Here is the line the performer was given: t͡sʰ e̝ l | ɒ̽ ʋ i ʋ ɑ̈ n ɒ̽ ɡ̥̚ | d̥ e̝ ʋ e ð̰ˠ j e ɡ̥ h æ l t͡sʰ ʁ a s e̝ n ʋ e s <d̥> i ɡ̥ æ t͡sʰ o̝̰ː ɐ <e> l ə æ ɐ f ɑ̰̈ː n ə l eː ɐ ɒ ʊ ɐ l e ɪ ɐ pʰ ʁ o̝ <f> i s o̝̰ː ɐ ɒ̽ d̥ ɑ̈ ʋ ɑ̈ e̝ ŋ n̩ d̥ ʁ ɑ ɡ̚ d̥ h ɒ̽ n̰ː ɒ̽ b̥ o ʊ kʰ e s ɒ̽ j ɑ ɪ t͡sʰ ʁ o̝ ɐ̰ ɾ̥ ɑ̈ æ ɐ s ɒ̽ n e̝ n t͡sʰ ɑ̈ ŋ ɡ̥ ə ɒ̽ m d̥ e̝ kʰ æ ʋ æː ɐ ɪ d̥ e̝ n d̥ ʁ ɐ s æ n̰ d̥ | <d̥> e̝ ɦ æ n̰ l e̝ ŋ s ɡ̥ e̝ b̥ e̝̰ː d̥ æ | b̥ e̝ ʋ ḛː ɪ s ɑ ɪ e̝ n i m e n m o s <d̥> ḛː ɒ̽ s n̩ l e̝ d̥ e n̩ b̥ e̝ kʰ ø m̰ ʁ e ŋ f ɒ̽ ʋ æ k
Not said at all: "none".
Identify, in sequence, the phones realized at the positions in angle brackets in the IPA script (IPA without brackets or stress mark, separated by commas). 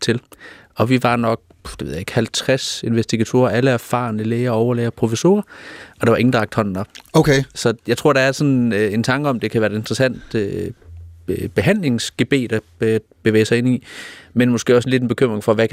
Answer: d̥, æ, f, b̥, ɡ̥